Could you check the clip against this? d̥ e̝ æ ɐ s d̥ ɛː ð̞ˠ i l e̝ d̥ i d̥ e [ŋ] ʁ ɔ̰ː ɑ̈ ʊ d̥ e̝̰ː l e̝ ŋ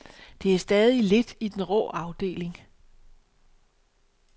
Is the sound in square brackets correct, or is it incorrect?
incorrect